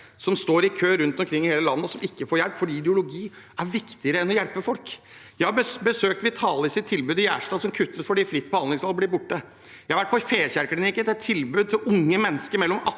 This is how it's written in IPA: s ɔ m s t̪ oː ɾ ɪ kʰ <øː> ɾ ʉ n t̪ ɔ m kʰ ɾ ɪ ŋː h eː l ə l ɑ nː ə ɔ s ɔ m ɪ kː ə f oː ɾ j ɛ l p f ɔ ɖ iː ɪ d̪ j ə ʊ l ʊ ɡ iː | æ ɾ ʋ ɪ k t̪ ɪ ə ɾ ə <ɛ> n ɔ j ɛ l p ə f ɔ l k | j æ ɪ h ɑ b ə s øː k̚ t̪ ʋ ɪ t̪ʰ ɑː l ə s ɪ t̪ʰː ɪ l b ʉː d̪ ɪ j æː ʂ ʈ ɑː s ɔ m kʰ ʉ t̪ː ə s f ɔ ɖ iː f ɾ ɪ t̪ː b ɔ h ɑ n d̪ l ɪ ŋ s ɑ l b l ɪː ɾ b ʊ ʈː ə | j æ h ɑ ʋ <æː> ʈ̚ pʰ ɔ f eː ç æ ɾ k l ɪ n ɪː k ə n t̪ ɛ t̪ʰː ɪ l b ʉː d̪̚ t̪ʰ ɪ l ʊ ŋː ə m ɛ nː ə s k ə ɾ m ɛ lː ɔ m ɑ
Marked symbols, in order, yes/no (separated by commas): yes, yes, no